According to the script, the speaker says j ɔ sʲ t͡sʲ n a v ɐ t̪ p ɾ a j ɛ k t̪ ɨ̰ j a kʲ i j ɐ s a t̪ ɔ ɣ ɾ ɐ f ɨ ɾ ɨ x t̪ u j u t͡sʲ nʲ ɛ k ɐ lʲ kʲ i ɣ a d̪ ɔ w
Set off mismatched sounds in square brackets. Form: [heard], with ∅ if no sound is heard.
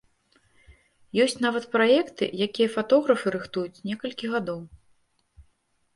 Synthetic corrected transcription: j ɔ sʲ t͡sʲ n a v ɐ t̪ p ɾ a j ɛ k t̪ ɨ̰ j a kʲ i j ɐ [f] a t̪ ɔ ɣ ɾ ɐ f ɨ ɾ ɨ x t̪ u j u t͡sʲ nʲ ɛ k ɐ lʲ kʲ i ɣ a d̪ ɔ w